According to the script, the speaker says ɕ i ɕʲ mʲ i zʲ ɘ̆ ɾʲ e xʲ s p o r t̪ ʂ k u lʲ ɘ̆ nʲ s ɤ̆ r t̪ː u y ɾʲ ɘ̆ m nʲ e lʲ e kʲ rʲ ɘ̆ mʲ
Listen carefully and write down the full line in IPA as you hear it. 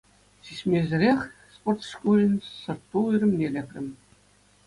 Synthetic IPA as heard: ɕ i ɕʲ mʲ e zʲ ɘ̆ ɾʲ e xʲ s p o r t̪ ʂ k u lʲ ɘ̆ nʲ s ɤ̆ r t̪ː u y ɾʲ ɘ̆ m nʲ e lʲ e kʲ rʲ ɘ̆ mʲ